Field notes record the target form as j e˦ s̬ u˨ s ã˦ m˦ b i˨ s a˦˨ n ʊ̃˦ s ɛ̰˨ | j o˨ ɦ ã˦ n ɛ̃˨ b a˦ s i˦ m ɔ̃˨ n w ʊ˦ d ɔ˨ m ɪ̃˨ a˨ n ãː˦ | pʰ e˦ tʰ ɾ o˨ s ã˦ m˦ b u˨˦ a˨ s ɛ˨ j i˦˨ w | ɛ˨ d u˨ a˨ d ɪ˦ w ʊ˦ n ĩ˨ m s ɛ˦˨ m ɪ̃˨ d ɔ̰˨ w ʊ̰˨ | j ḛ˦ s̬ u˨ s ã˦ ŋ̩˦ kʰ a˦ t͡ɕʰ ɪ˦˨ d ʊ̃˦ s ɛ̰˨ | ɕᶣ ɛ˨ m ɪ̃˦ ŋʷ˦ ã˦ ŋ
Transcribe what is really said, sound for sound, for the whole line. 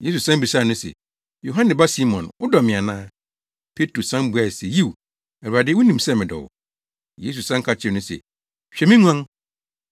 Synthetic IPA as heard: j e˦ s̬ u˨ s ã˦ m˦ b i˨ s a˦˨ n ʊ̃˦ s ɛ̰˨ | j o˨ ɦ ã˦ n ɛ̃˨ b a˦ s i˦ m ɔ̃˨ n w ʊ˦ d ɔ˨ m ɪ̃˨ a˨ n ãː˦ | pʰ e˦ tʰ ɾ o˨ s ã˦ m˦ b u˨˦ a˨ s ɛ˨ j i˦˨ w | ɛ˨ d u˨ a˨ d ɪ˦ w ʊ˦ n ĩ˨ m s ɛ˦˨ m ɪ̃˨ d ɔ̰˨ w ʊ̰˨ | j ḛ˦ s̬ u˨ s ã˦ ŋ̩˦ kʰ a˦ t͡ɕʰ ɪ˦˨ n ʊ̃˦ s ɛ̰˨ | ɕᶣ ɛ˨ m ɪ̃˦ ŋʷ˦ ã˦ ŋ